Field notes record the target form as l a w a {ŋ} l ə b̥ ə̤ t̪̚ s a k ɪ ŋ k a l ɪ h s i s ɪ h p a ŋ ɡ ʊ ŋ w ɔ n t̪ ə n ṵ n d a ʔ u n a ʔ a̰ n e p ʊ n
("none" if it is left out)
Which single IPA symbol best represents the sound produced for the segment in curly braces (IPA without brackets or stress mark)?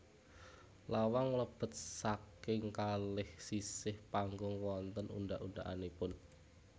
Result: ŋ